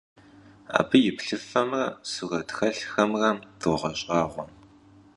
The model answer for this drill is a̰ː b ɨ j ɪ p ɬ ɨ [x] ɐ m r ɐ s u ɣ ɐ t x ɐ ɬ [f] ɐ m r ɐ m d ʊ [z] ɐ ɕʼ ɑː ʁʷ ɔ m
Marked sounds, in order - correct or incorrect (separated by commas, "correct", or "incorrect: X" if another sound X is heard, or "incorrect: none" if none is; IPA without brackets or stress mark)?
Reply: incorrect: f, incorrect: x, incorrect: ʁ